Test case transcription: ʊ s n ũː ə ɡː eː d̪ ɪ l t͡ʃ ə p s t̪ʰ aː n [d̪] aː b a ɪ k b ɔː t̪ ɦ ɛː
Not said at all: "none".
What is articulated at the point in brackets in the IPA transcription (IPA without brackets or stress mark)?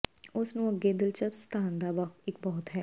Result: d̪